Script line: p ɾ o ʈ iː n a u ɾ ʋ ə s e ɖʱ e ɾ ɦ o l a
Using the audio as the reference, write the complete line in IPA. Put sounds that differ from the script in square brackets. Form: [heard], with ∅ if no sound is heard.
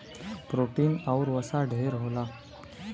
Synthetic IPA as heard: p ɾ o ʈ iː n a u ɾ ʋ ə s [a] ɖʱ e ɾ ɦ o l a